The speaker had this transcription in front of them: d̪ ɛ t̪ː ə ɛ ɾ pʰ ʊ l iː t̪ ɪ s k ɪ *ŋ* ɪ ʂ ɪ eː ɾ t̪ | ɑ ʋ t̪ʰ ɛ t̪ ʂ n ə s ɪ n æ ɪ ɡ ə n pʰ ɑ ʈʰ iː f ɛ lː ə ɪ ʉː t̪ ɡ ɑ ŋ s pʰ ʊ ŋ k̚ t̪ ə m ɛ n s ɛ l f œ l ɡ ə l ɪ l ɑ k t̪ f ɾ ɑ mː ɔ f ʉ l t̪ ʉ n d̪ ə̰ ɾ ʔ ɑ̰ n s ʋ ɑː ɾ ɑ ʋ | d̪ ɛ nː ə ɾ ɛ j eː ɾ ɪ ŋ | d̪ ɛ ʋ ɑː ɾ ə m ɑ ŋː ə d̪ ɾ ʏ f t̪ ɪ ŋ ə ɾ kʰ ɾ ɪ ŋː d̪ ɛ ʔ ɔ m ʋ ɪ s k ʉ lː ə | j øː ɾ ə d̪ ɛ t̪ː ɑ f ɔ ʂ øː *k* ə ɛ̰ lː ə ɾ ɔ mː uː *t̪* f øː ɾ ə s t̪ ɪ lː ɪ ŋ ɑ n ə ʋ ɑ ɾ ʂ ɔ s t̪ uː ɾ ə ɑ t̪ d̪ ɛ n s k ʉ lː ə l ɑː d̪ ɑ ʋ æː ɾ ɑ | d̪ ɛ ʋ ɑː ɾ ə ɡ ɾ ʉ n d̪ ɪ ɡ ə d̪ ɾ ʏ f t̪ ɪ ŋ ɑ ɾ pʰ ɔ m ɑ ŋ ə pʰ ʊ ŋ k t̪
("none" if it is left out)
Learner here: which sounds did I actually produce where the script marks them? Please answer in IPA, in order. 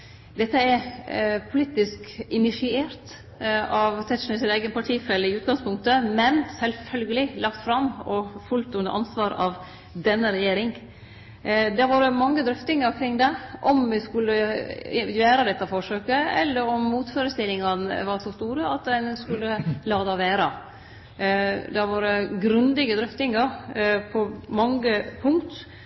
n, k, t̪

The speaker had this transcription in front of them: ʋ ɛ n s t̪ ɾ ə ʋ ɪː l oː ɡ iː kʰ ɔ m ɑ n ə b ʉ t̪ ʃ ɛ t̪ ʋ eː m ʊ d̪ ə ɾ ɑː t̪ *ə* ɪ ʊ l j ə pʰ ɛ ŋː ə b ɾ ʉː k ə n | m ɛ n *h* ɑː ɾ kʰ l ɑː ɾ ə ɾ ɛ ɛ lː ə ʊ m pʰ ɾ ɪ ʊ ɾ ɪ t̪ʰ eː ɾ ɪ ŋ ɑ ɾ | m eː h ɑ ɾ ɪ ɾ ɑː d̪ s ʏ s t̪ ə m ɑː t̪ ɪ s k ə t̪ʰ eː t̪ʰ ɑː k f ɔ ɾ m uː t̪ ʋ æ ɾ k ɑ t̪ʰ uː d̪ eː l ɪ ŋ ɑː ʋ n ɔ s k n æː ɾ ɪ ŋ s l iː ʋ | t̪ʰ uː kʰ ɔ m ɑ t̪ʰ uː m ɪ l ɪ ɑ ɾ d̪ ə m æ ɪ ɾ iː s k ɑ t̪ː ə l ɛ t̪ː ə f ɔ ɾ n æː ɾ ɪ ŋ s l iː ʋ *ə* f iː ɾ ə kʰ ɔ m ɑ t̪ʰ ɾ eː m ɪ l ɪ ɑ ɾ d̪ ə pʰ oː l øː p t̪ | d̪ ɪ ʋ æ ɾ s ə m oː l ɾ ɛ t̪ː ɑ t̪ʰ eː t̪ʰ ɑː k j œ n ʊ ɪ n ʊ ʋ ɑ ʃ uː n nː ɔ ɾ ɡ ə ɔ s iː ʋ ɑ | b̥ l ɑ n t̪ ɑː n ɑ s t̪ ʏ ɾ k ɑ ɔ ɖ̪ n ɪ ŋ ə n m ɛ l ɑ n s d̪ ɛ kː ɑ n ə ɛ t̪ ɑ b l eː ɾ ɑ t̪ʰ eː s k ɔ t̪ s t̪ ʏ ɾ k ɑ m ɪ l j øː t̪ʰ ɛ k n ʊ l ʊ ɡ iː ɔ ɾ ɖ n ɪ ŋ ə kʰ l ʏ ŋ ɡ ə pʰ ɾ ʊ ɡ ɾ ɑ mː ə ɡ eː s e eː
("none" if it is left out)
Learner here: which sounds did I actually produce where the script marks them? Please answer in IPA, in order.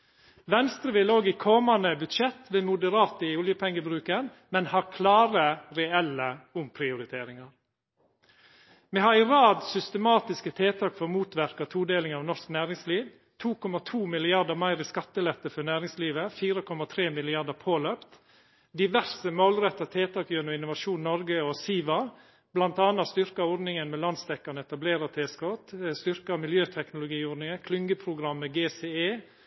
ə, h, ə

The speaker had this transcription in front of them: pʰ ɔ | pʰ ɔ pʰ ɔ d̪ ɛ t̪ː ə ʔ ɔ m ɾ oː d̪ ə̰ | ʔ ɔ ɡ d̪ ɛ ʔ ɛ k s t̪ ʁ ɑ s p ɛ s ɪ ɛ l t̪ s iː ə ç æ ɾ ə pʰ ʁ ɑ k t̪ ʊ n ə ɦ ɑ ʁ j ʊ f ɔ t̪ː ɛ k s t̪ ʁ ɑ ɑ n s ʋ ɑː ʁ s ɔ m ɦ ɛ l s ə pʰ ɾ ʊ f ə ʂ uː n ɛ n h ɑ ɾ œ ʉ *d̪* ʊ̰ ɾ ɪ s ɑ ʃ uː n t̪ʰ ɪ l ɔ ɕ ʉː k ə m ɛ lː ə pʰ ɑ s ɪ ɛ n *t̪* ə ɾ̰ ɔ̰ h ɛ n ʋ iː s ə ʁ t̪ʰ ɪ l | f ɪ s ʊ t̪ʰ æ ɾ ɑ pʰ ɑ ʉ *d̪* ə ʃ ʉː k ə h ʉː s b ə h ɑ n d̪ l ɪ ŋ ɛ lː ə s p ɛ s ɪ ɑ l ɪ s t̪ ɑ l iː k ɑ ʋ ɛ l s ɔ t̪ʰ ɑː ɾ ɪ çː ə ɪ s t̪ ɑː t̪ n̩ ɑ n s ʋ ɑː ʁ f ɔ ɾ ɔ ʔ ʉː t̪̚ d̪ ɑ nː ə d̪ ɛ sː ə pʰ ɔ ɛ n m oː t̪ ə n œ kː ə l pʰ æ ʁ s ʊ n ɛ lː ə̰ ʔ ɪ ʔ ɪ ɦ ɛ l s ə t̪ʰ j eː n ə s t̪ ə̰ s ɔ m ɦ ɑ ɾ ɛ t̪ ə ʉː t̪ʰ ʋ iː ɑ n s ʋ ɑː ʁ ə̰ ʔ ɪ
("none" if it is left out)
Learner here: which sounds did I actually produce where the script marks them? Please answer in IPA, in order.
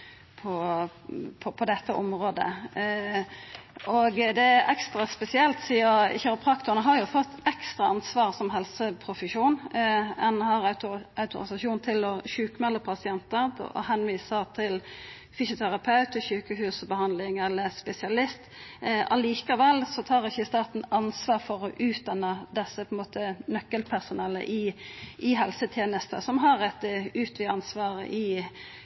t̪, t̪, t̪

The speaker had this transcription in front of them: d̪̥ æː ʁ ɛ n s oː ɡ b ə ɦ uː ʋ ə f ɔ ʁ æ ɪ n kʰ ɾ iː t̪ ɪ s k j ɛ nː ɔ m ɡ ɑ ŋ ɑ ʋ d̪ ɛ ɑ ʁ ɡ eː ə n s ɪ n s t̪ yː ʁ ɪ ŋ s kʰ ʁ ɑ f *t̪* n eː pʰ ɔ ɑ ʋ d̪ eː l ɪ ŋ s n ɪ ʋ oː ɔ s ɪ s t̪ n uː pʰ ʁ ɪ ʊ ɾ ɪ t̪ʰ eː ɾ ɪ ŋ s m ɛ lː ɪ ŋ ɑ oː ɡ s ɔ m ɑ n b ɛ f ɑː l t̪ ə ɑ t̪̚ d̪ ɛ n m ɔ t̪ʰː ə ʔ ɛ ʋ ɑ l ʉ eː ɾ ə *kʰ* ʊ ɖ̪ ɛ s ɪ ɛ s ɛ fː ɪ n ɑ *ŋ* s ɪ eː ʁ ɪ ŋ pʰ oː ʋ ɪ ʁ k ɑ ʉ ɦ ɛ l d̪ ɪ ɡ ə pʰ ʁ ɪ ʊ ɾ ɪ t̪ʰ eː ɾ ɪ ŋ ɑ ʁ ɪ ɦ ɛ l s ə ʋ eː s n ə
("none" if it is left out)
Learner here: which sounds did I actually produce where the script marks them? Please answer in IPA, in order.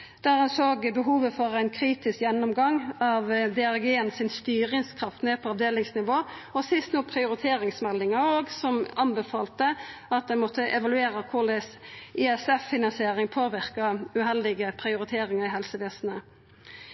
t̪, kʰ, n

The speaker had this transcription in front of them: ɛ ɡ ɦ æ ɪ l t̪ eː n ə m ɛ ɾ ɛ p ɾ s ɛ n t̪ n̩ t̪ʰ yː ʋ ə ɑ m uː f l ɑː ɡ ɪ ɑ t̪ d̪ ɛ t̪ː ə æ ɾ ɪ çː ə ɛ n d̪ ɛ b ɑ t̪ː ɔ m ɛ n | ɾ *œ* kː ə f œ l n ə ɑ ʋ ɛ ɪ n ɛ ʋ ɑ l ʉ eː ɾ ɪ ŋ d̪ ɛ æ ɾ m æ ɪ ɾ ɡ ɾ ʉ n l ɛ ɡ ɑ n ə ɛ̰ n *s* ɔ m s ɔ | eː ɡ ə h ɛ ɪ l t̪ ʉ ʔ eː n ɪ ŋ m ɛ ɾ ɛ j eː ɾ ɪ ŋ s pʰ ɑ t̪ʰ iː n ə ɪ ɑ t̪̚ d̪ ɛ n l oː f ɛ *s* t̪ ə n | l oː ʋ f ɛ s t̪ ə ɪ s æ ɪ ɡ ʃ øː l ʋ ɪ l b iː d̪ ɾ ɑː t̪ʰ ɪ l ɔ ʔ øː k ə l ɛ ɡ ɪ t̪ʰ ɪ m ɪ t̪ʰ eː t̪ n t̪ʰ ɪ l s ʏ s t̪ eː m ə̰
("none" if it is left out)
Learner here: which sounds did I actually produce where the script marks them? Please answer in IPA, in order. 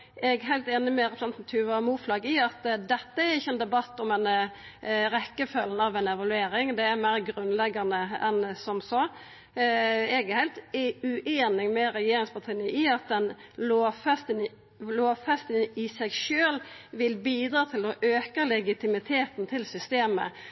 ɛ, s, s

